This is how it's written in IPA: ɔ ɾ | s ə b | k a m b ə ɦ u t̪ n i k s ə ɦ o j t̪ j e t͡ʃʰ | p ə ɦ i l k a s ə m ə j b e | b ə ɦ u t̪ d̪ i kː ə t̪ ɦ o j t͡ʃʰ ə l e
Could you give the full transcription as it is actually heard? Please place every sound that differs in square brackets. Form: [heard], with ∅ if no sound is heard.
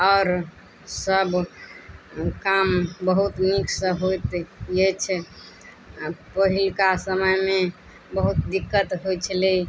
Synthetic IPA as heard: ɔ ɾ | s ə b | k a m b ə ɦ u t̪ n i k s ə ɦ o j t̪ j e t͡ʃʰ | p ə ɦ i l k a s ə m ə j [m] e | b ə ɦ u t̪ d̪ i kː ə t̪ ɦ o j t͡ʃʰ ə l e